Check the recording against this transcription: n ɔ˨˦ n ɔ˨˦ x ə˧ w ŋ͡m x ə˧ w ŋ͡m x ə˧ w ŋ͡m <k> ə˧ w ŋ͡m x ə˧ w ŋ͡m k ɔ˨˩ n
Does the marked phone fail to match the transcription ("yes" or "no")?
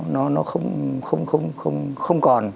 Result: yes